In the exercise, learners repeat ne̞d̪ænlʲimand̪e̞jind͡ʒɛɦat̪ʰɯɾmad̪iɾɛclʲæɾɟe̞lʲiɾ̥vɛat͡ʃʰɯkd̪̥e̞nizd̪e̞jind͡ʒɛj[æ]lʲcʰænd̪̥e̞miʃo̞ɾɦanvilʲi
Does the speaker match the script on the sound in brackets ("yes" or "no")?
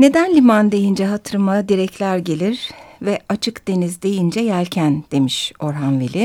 yes